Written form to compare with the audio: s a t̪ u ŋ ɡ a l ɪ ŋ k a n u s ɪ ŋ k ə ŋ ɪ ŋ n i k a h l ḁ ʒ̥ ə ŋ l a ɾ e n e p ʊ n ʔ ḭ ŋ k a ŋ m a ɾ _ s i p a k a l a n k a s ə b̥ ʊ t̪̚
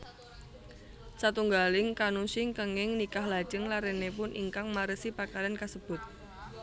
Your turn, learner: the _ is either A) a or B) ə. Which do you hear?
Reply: B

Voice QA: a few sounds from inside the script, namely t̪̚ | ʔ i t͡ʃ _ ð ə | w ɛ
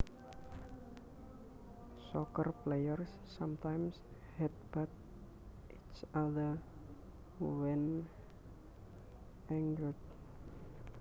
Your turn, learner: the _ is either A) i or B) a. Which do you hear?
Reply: B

